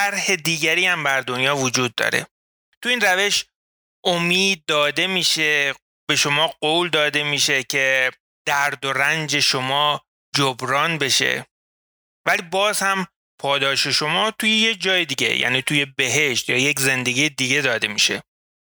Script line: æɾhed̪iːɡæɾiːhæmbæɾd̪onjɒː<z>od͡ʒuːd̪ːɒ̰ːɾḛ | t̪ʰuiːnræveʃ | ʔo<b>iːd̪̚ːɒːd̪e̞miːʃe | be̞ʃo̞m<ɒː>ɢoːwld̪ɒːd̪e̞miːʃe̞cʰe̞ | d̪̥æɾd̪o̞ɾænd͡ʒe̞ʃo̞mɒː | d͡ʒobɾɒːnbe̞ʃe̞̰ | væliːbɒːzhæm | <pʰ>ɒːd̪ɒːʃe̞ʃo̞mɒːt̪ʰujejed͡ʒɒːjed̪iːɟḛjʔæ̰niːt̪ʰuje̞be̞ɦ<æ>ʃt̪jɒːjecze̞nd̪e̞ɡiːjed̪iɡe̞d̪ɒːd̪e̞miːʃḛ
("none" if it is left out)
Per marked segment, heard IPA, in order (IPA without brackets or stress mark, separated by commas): v, m, ɒː, pʰ, e